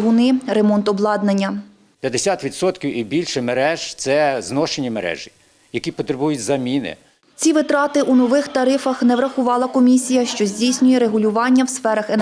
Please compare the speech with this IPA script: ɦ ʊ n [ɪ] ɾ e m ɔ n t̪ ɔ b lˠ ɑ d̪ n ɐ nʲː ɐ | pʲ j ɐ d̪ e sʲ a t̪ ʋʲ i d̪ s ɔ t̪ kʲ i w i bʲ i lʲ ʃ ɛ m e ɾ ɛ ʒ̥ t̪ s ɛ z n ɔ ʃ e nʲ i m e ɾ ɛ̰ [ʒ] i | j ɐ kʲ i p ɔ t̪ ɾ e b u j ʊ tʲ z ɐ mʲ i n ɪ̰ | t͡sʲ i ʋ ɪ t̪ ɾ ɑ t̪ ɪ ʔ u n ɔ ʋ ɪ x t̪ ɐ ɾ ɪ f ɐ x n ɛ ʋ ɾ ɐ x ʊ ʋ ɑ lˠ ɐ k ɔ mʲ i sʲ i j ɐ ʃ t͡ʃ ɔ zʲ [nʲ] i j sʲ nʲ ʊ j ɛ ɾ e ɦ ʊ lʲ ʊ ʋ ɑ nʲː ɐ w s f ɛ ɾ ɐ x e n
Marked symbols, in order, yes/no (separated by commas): yes, yes, no